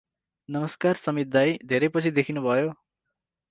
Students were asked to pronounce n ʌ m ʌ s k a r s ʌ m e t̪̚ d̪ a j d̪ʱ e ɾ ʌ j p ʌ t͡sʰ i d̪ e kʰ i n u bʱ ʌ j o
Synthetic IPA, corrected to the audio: n ʌ m ʌ s k a r s ʌ m i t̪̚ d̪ a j d̪ʱ e ɾ ʌ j p ʌ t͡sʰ i d̪ e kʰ i n u bʱ ʌ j o